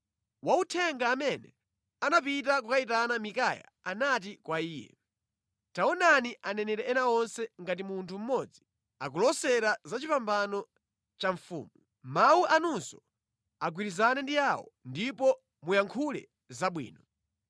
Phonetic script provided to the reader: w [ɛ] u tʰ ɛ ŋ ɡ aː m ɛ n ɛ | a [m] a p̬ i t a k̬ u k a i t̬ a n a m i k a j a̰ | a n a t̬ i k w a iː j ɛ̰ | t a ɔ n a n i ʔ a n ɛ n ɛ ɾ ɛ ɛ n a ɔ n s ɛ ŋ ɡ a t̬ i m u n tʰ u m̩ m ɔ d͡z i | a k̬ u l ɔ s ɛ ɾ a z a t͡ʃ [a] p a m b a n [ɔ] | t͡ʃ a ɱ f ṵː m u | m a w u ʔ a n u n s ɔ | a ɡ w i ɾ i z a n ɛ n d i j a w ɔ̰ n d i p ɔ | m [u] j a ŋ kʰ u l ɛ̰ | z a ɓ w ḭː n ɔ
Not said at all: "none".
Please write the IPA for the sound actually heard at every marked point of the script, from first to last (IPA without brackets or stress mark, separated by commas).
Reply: a, n, i, ɔ, u